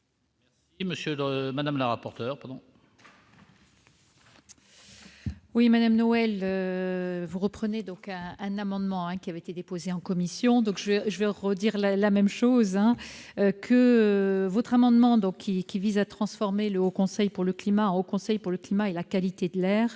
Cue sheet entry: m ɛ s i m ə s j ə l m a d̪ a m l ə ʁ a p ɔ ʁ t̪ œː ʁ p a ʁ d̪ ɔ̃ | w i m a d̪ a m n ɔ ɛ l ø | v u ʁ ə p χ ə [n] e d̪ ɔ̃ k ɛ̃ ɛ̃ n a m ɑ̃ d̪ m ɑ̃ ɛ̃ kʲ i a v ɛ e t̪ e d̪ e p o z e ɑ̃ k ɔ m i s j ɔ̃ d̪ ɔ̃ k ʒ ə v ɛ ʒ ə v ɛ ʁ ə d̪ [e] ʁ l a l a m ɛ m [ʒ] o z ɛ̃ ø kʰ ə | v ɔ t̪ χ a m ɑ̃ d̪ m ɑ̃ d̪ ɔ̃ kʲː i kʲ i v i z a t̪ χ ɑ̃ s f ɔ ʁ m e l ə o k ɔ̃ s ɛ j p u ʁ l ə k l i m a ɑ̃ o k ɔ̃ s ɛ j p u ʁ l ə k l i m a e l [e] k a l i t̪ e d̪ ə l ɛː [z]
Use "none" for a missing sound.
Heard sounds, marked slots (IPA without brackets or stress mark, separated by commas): n, i, ʃ, a, ʁ